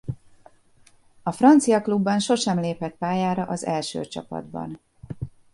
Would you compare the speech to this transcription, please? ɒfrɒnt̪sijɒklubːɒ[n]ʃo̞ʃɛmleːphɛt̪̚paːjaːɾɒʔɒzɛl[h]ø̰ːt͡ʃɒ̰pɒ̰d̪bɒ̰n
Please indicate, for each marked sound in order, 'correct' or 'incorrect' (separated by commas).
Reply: correct, incorrect